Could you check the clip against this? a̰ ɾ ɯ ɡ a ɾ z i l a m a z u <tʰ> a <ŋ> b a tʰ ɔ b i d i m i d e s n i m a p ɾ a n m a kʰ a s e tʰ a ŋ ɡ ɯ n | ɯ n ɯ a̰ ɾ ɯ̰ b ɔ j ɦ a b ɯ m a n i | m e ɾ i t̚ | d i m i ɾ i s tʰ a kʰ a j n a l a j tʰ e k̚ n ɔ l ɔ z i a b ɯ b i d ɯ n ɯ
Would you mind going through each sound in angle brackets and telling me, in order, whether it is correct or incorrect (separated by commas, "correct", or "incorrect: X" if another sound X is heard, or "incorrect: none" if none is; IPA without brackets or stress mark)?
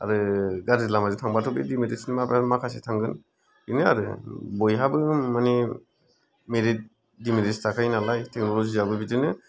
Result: correct, correct